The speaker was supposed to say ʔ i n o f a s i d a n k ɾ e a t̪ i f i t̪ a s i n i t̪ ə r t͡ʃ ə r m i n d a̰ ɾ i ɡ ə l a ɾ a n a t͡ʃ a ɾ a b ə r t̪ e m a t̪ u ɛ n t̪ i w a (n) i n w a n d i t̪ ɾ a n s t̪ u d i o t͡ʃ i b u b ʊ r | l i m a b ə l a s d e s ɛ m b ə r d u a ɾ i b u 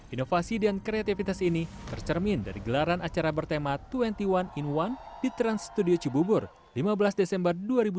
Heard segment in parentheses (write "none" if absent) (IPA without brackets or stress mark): n